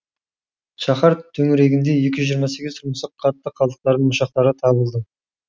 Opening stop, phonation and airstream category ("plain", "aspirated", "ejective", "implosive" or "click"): aspirated